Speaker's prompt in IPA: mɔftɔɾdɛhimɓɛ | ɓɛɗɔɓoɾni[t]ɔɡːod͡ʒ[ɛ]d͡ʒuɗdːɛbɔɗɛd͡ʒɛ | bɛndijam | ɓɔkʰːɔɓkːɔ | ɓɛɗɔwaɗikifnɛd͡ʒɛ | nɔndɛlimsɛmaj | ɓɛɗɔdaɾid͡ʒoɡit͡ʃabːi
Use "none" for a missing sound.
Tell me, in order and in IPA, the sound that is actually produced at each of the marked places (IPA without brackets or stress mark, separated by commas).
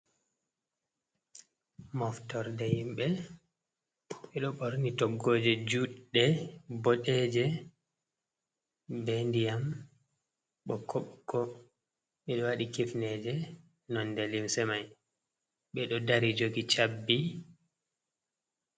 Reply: t, ɛ